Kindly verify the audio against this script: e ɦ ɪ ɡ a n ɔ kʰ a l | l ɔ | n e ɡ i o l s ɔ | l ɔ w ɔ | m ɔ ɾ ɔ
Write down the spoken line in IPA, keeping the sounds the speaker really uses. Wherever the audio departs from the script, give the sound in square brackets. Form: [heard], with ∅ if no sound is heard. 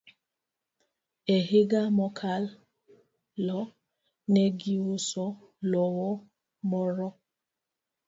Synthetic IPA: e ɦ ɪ ɡ a [m] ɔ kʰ a l | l ɔ | n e ɡ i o [∅] s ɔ | l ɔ w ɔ | m ɔ ɾ ɔ